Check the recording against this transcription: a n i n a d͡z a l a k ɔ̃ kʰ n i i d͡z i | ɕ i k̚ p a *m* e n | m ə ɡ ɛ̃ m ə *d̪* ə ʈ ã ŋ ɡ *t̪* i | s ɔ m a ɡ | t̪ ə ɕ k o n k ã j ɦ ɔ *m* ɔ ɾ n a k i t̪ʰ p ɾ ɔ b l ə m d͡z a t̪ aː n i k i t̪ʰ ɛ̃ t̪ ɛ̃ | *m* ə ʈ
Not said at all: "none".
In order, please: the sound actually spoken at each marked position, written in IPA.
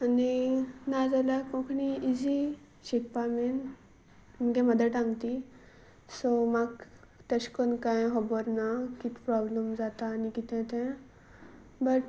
m, d̪, t̪, b, b

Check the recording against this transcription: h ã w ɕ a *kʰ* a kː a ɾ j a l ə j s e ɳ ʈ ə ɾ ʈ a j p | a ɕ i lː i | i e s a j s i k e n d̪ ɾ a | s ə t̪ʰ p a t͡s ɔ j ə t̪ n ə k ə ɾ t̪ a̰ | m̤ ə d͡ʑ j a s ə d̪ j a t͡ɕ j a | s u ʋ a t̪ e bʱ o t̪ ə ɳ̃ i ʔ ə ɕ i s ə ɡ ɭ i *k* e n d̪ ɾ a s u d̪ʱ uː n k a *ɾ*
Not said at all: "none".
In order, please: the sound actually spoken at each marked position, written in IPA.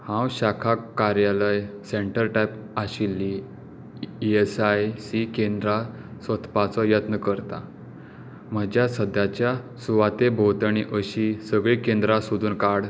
kʰ, k, ɽ

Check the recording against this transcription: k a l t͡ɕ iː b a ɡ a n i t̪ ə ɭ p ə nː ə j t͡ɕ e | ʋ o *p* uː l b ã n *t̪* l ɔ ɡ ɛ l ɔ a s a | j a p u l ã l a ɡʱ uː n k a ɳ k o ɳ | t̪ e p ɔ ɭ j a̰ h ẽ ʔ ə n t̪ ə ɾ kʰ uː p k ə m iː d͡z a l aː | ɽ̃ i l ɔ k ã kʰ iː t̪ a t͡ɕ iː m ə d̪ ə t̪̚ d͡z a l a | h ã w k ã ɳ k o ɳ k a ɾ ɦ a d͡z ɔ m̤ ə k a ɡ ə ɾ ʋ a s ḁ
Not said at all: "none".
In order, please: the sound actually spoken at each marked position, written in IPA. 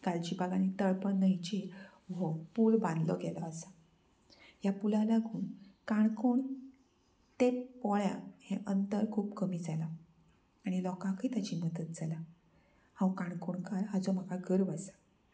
p, d̪

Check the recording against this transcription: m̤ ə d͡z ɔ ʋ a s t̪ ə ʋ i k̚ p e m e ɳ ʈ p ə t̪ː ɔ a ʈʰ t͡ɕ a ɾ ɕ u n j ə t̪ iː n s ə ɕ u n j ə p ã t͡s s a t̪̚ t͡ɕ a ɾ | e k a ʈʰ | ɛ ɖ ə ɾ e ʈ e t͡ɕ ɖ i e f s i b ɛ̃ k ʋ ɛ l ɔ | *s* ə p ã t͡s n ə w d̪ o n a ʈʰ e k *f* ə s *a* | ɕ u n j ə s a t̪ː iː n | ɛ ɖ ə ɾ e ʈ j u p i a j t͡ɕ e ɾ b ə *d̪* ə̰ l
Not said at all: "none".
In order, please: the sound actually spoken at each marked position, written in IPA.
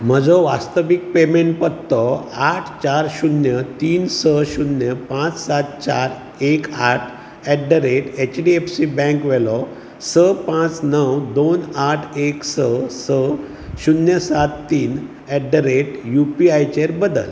s, s, ə, d̪

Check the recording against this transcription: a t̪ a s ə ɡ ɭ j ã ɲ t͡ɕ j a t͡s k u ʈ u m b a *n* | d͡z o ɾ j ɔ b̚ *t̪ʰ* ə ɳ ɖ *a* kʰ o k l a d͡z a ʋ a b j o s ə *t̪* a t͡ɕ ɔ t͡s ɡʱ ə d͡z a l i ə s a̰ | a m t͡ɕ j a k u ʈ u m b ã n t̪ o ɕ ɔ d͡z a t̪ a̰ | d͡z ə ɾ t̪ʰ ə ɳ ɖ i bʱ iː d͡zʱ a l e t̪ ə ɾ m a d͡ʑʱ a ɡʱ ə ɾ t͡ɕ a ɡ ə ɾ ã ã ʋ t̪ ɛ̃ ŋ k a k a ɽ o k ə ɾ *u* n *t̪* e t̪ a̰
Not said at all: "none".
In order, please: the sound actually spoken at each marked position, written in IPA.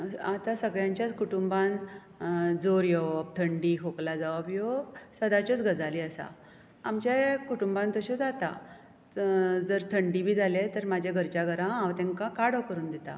n, t̪ʰ, i, d̪, uː, d̪

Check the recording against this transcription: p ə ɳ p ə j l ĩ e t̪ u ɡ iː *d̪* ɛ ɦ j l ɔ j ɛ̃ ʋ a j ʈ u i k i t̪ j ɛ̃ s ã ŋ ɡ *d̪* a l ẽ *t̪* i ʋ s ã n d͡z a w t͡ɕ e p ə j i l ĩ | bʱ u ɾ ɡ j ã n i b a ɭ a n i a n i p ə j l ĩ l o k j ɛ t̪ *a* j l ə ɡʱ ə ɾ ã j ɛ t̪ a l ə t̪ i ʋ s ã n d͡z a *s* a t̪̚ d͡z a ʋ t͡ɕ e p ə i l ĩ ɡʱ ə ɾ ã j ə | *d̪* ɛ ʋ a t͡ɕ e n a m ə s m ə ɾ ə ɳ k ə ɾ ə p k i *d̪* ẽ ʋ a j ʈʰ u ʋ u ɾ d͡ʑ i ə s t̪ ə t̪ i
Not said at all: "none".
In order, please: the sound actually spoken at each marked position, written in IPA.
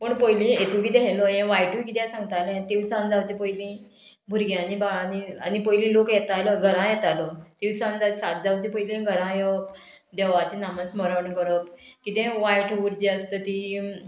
d̪, t̪, t̪, a, s, d̪, t̪

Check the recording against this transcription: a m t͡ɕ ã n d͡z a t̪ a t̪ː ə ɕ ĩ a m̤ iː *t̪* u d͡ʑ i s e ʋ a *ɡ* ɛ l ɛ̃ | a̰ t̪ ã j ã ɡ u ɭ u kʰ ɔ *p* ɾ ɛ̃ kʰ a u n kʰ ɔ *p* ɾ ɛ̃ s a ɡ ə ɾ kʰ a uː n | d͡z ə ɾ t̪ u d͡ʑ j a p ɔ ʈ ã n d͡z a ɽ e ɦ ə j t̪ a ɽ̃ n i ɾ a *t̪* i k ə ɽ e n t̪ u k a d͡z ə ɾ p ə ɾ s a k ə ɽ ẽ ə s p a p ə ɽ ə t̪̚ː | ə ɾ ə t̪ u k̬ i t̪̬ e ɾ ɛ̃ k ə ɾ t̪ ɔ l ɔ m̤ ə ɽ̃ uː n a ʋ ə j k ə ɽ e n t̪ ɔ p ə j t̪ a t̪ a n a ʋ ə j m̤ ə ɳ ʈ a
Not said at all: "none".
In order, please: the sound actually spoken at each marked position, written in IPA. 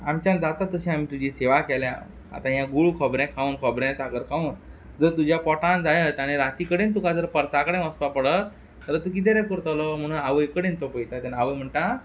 t̪, k, b, b, t̪

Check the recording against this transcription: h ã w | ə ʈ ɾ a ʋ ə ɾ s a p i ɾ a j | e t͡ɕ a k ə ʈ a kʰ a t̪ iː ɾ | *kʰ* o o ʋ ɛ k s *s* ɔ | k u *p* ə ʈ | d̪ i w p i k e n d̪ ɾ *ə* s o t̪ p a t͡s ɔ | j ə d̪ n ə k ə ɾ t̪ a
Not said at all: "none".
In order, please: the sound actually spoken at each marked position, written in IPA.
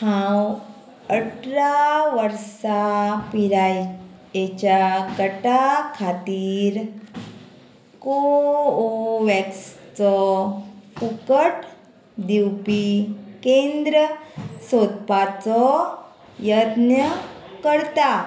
k, t͡s, k, ə

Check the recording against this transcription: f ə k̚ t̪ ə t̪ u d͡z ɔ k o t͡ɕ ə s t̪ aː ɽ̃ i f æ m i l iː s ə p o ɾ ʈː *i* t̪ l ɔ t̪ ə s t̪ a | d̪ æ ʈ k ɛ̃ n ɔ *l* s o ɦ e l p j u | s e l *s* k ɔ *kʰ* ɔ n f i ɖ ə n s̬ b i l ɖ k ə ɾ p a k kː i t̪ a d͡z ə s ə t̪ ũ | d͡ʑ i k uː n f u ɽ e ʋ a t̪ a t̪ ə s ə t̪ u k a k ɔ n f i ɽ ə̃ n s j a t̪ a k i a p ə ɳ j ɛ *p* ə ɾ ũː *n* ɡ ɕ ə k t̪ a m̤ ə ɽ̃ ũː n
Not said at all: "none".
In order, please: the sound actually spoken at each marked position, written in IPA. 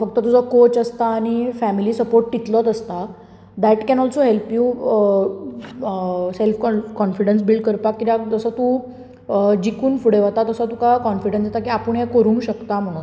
i, l, f, k, k, ŋ

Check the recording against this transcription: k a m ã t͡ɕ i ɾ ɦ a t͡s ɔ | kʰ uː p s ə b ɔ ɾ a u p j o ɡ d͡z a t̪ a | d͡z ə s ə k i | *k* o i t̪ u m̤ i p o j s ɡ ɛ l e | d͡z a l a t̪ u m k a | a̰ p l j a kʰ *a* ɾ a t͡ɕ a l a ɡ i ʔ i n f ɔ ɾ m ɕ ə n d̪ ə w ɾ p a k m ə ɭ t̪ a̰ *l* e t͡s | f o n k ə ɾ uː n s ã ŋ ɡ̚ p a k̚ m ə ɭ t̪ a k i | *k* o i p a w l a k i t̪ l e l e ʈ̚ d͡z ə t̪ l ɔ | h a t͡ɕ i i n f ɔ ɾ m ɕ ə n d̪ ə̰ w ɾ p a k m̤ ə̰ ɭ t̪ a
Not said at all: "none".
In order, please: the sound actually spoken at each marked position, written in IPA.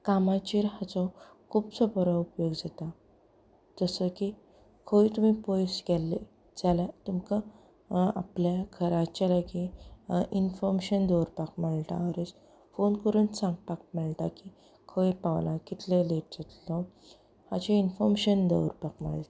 kʰ, ə, ɾ, kʰ

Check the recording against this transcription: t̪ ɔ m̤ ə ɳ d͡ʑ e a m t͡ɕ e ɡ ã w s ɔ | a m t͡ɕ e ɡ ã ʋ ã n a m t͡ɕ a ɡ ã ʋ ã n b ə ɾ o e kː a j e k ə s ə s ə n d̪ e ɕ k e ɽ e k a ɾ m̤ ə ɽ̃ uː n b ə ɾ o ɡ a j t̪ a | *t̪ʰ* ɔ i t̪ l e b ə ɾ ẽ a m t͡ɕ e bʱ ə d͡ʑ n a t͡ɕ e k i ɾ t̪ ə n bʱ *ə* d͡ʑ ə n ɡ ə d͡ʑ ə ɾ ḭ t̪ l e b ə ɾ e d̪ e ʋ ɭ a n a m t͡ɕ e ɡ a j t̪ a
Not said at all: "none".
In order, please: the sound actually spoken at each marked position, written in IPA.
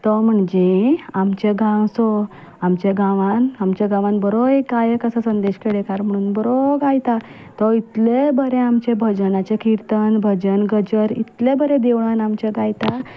t̪, ə

